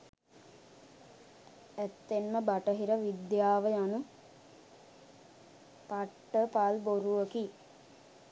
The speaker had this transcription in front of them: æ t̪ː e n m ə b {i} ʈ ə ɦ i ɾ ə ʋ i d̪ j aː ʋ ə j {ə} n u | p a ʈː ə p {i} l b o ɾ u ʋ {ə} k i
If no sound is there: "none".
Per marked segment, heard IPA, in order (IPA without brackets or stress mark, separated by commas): a, a, a, ə